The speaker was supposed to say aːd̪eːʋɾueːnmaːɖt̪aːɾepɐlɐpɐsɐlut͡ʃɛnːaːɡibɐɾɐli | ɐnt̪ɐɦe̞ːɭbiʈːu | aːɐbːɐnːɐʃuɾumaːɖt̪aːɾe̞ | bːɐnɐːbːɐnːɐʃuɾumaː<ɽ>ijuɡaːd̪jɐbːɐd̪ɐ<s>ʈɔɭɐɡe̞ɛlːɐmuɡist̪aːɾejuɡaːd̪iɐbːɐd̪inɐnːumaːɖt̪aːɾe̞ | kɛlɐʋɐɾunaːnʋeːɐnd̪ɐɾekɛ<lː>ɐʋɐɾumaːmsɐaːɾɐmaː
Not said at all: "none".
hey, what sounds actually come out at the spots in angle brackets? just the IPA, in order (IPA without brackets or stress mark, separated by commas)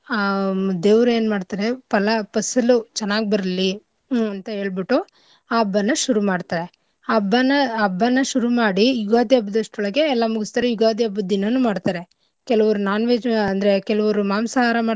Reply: ɽ, ʂ, l